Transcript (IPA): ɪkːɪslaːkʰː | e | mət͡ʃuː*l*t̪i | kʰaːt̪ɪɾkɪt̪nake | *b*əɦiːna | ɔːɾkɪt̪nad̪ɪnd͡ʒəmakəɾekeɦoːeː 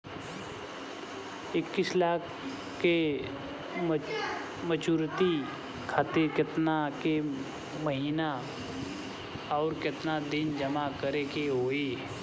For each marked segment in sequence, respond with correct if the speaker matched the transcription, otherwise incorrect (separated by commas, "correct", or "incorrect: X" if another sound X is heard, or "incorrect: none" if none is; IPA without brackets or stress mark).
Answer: incorrect: ɾ, incorrect: m